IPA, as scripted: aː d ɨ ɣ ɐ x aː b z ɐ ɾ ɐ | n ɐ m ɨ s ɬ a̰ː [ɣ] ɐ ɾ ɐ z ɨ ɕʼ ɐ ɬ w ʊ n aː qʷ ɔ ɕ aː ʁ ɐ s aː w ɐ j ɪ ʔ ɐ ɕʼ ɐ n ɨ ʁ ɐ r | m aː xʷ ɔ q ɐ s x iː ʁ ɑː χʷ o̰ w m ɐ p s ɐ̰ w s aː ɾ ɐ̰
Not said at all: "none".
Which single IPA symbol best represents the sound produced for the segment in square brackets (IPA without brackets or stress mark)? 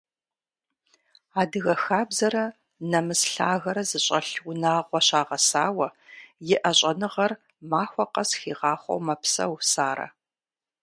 ɣ